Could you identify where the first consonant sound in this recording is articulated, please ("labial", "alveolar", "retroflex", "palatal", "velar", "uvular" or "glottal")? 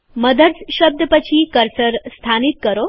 labial